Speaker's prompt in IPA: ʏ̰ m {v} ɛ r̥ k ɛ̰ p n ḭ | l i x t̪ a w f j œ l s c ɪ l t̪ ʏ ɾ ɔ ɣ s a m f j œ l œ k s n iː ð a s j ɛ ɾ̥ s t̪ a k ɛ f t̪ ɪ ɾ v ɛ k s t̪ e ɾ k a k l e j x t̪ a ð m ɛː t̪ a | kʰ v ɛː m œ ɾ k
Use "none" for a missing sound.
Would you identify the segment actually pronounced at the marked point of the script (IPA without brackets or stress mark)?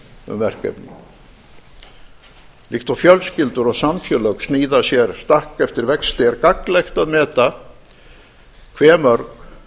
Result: v